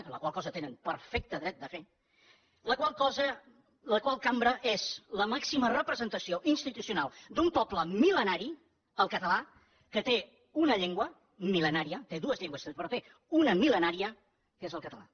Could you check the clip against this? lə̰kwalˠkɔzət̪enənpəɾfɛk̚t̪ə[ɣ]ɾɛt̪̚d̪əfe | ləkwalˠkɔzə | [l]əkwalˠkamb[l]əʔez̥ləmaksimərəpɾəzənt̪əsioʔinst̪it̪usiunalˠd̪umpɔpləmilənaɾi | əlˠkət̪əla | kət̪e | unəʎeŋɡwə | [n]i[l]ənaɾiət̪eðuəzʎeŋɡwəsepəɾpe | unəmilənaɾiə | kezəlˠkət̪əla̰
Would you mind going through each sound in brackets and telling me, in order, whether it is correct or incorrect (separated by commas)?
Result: incorrect, correct, incorrect, incorrect, correct